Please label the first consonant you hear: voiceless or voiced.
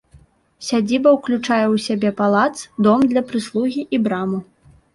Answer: voiceless